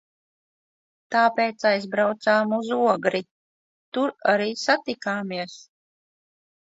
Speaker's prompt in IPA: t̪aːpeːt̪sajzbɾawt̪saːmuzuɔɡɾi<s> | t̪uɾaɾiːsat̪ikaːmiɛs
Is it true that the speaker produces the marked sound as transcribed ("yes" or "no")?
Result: no